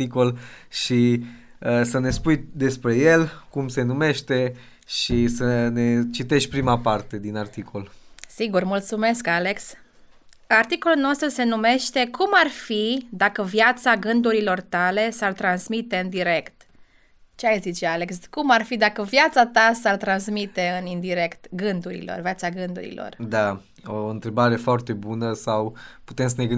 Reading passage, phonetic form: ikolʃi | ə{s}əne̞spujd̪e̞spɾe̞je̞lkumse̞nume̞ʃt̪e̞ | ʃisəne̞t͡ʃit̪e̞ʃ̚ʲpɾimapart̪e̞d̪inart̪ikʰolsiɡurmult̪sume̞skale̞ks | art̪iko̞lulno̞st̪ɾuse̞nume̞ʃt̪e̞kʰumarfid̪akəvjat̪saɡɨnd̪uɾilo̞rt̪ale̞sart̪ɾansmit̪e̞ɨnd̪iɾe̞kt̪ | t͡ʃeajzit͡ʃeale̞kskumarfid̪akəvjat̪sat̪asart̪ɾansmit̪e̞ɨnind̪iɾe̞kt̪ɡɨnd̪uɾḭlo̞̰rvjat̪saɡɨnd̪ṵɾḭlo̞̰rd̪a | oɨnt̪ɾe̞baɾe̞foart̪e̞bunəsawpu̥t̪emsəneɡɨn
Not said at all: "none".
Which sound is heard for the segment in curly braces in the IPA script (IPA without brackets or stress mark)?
s